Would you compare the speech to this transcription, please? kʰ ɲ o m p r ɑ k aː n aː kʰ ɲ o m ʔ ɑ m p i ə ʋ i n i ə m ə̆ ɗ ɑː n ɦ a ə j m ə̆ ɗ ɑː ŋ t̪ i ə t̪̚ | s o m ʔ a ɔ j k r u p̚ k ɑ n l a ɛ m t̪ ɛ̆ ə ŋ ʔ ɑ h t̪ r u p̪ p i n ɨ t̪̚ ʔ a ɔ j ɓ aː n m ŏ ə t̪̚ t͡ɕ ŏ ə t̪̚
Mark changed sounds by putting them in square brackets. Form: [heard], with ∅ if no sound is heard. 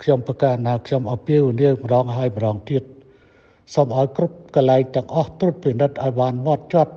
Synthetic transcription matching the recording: kʰ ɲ o m p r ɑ k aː n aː kʰ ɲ o m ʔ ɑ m p i ə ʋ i n i ə m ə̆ ɗ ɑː [ŋ] ɦ a ə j m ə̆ ɗ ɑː ŋ t̪ i ə t̪̚ | s o m ʔ a ɔ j k r u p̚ k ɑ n l a ɛ [ŋ] t̪ ɛ̆ ə ŋ ʔ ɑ h t̪ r u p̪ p i n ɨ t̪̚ ʔ a ɔ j ɓ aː n m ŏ ə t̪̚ t͡ɕ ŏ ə t̪̚